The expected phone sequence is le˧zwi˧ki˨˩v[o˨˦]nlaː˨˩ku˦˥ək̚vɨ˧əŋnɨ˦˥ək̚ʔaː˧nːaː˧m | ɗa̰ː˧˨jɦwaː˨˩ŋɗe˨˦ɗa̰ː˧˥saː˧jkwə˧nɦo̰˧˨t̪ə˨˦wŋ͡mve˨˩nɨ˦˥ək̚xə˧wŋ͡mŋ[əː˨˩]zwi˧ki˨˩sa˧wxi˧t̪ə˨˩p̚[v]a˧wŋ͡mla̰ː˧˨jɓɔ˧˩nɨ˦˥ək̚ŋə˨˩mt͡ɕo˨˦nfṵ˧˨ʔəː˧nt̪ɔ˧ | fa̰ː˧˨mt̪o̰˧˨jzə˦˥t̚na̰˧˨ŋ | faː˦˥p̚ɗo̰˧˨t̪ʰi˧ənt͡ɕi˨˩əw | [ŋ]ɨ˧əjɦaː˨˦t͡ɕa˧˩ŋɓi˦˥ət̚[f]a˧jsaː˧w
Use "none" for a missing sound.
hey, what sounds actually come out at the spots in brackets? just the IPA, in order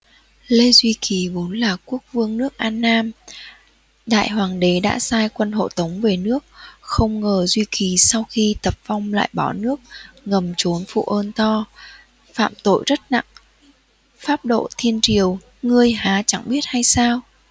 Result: o˨˦, əː˨˩, v, ŋ, h

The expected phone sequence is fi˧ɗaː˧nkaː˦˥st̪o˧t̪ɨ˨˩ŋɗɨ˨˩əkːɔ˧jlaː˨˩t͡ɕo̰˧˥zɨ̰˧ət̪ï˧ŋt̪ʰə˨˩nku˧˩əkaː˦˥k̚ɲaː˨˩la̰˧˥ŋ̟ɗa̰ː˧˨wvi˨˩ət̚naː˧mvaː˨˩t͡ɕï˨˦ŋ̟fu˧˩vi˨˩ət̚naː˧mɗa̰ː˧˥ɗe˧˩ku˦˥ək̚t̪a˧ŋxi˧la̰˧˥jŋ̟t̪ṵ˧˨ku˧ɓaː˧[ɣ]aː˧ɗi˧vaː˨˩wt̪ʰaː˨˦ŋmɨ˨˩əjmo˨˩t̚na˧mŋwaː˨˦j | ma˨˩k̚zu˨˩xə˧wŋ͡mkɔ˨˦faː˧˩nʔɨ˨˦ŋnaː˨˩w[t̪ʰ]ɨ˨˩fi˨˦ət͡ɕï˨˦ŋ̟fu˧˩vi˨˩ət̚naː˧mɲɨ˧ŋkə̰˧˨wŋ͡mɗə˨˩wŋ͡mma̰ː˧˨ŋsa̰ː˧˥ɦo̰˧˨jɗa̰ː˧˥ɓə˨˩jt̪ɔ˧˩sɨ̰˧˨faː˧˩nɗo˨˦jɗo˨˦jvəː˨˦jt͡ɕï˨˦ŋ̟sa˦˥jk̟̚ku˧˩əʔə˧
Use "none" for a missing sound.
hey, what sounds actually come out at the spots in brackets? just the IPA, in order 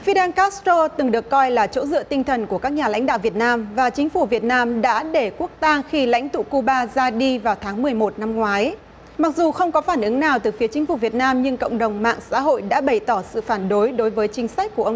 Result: z, t̪

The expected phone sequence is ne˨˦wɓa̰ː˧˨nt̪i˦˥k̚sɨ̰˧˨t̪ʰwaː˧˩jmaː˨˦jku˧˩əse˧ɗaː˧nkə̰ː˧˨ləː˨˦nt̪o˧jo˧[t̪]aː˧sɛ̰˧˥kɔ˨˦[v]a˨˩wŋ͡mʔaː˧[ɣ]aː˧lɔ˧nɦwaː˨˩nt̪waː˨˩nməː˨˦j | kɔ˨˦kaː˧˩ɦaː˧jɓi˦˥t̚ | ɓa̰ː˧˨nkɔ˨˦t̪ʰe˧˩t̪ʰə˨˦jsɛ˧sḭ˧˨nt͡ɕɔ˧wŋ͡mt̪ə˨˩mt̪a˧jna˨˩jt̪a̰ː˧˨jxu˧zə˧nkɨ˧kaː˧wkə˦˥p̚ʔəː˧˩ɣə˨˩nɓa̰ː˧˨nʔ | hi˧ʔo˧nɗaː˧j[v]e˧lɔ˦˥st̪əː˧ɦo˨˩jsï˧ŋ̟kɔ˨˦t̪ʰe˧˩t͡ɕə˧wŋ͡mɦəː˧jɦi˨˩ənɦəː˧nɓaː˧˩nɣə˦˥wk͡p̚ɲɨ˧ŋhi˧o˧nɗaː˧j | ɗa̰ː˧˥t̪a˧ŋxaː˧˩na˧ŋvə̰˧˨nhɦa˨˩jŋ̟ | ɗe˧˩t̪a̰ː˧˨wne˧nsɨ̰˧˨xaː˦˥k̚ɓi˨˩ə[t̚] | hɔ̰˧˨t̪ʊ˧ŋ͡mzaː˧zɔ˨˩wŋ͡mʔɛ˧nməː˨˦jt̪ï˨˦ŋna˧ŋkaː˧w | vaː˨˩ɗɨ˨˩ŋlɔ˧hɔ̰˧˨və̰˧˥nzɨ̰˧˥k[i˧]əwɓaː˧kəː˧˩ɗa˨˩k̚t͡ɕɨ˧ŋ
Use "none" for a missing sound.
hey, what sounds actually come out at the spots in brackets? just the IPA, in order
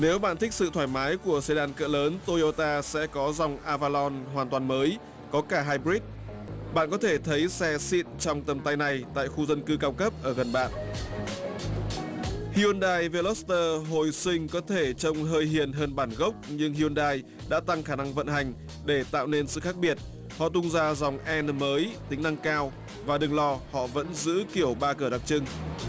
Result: t̪, z, v, v, t̚, i˧˩

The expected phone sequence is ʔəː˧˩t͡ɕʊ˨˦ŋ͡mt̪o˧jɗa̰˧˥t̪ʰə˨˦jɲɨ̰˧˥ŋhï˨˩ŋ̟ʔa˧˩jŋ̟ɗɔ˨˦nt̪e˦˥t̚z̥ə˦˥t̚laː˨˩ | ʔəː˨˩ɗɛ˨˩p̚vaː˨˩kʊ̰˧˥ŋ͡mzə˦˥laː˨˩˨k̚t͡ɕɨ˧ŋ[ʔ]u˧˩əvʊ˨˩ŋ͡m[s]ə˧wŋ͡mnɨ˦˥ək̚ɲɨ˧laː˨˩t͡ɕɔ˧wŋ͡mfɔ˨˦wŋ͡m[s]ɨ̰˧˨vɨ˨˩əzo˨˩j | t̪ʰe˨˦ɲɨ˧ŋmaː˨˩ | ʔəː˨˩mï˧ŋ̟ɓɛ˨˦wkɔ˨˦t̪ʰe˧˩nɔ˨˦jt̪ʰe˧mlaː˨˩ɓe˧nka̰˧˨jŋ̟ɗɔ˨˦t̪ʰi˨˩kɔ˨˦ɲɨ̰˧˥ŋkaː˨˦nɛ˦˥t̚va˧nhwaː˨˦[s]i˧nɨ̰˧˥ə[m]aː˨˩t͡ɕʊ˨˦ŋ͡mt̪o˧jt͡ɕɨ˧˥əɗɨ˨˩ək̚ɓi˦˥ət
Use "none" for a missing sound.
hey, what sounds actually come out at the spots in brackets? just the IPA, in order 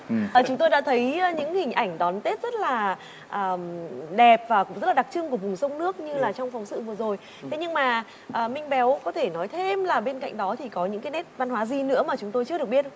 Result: k, s, s, z, m

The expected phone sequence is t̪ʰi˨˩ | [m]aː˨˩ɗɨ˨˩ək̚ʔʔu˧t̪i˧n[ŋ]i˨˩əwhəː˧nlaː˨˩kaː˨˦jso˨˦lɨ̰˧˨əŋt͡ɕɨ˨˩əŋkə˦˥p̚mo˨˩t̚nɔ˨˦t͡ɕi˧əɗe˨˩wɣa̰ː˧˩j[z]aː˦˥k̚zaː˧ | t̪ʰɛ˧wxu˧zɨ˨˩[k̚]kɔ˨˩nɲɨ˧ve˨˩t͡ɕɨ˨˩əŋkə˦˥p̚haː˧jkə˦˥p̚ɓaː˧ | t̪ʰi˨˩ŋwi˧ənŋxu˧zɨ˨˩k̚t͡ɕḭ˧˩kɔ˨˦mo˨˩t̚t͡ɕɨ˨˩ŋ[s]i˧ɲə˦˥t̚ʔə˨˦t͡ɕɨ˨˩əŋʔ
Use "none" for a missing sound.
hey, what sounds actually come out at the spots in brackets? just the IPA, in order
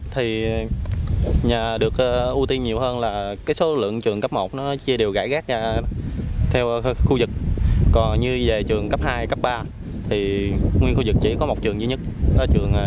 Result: ɲ, ɲ, ɣ, k̚, z

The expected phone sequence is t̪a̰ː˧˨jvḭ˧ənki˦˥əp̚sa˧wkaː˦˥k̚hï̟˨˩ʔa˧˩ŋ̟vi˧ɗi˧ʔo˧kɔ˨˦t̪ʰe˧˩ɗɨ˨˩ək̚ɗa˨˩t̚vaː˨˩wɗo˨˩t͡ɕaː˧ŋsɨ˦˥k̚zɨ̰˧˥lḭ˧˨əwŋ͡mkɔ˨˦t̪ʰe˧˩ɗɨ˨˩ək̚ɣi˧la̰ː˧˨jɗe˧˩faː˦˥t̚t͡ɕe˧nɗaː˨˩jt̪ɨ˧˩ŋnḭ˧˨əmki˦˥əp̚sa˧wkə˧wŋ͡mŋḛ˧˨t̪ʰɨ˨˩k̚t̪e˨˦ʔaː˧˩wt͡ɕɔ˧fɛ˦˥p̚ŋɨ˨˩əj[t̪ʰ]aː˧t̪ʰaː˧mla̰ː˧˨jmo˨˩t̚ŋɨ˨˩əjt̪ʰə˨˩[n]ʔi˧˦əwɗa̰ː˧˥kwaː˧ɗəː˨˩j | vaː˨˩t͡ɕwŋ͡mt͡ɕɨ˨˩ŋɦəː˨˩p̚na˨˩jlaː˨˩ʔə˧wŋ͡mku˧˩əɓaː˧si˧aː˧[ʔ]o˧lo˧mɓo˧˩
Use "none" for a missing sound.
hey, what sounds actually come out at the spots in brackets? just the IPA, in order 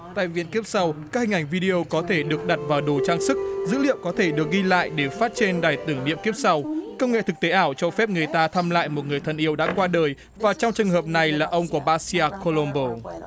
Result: t̪, n, k

